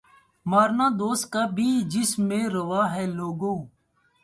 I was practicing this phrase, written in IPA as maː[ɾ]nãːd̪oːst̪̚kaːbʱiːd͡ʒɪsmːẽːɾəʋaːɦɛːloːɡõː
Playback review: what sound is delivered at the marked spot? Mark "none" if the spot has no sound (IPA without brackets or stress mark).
ɾ